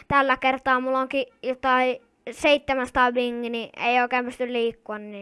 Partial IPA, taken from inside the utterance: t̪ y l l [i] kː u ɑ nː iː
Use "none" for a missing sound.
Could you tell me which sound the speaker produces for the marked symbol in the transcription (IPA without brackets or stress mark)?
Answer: iː